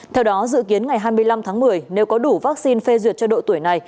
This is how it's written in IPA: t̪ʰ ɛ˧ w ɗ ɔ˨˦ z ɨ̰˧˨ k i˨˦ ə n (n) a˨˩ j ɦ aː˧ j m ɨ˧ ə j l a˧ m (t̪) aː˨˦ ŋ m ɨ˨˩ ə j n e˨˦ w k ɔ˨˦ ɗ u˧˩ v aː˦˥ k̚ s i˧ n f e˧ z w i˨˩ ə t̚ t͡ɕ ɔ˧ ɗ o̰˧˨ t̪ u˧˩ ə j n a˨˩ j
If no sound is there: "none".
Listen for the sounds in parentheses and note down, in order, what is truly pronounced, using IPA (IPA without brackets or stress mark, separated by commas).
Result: ŋ, t̪ʰ